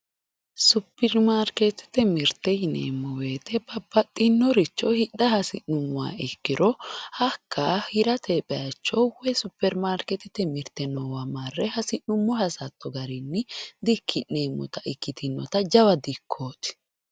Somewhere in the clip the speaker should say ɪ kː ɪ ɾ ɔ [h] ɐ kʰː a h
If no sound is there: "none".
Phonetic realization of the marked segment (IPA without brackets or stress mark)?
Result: h